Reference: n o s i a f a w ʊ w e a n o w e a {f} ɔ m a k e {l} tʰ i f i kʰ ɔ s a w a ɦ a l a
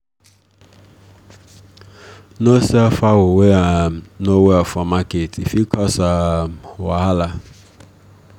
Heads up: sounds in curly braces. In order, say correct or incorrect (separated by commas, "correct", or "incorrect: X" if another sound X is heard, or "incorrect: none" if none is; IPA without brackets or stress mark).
correct, incorrect: none